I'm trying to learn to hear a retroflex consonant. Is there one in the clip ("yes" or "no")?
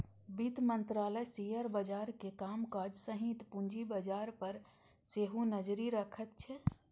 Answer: no